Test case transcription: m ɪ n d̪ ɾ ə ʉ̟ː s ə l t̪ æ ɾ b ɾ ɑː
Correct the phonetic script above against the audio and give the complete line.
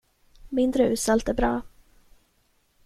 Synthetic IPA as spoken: m ɪ n d̪ ɾ ə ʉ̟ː s a l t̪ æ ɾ b ɾ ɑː